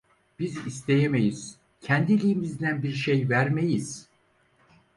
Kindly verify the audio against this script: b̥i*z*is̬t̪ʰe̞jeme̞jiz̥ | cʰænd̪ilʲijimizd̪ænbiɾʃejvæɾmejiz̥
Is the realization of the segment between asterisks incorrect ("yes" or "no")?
no